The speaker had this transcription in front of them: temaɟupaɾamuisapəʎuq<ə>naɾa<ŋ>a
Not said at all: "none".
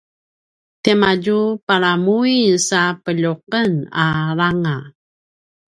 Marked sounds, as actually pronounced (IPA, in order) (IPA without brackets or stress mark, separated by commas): ə, ŋ